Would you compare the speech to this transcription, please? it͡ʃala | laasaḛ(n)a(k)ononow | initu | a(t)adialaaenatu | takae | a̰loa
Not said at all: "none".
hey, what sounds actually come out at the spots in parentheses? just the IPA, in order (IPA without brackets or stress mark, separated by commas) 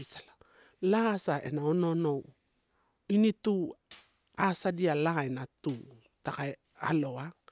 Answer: n, none, s